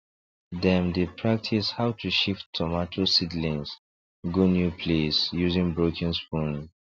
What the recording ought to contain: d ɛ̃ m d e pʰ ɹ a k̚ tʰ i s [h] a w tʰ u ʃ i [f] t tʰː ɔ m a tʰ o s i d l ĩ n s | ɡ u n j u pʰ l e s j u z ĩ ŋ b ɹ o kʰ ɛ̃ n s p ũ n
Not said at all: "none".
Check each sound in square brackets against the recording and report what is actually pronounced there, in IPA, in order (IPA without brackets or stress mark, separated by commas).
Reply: h, f